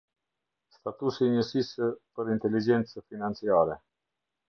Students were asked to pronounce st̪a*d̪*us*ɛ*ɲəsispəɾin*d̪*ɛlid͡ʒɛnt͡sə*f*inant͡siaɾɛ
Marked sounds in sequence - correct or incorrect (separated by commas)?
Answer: incorrect, incorrect, incorrect, correct